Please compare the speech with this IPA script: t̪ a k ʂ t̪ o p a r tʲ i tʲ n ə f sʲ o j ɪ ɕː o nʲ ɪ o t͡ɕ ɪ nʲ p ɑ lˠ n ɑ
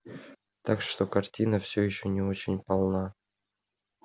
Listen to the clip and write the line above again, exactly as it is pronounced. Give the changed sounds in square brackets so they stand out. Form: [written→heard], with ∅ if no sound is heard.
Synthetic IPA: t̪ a k ʂ t̪ o [p→k] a r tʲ i [tʲ→∅] n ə f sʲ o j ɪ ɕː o nʲ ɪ o t͡ɕ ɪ nʲ p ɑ lˠ n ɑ